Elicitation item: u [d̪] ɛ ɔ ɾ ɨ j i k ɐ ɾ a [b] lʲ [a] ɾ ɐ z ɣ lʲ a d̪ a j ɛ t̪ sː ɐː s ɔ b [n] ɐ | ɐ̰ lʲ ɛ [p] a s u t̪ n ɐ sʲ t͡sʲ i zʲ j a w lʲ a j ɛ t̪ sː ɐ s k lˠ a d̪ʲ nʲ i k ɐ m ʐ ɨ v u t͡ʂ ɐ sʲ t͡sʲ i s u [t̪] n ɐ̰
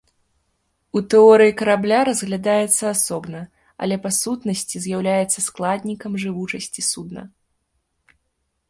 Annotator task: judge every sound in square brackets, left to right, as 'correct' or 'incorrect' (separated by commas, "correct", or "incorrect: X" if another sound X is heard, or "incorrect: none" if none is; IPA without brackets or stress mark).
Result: incorrect: t̪, correct, correct, correct, correct, incorrect: d̪